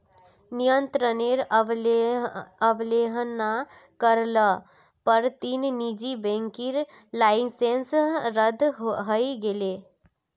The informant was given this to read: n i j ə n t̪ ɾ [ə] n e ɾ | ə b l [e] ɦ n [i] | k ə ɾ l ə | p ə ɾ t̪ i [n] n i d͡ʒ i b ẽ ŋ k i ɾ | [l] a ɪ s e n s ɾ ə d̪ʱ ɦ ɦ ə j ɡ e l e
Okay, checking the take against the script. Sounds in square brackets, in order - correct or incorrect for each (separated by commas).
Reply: correct, correct, incorrect, correct, correct